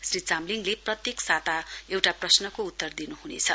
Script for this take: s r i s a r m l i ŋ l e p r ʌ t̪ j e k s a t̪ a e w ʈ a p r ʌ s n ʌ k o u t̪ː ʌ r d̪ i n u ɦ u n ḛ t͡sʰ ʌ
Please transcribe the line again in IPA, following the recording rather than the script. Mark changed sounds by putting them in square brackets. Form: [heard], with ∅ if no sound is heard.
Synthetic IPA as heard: s r i [t͡s] a [∅] m l i ŋ l e p r ʌ t̪ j e k s a t̪ a e w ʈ a p r ʌ s n ʌ k o u t̪ː ʌ r d̪ i n u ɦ u n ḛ t͡sʰ ʌ